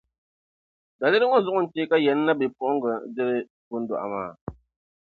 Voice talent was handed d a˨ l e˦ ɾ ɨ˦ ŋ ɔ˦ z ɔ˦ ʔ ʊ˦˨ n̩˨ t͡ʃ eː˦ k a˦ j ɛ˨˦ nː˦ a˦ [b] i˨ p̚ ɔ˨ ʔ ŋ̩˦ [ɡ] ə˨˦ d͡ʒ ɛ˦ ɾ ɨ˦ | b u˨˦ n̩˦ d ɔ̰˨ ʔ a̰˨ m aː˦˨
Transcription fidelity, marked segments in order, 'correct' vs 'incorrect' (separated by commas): correct, correct